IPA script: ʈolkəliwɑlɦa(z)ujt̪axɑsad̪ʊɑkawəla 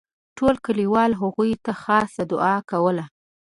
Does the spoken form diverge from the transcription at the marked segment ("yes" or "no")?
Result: yes